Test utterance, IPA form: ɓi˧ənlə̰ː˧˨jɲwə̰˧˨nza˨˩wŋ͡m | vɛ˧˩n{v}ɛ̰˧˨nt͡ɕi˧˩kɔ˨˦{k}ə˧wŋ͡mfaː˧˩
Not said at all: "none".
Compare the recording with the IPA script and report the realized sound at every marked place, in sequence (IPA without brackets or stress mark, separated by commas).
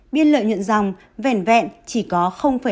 v, x